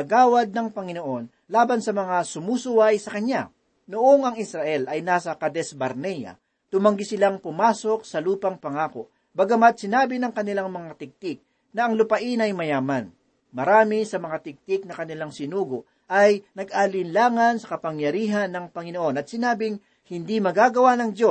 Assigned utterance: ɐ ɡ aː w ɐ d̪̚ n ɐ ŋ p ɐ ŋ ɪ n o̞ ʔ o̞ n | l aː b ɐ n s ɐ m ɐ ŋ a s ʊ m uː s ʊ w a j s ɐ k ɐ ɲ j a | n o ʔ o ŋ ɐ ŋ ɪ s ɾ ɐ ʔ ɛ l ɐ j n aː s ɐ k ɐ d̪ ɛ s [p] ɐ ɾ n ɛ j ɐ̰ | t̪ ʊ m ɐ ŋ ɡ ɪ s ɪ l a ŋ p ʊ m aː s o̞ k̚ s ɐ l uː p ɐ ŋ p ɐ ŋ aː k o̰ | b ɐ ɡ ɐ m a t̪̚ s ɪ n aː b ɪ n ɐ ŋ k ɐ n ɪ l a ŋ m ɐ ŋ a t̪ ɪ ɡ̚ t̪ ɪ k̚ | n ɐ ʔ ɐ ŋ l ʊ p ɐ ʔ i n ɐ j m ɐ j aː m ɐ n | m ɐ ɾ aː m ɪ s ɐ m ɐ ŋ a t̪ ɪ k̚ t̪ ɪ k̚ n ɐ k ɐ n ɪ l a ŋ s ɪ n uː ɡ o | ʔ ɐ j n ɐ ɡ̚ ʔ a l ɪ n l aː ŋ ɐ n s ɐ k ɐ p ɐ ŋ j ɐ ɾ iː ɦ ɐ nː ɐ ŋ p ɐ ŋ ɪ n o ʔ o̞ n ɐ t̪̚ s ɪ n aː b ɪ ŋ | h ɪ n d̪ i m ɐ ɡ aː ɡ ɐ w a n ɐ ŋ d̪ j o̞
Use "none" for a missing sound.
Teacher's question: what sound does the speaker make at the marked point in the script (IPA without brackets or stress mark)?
b